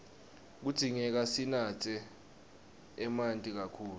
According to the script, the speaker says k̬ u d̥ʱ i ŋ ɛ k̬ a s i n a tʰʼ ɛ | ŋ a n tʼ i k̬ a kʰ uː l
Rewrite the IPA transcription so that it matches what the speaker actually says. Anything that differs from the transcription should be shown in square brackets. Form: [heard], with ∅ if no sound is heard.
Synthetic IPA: k̬ u d̥ʱ i ŋ ɛ k̬ a s i n a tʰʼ ɛ | [m] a n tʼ i k̬ a kʰ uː l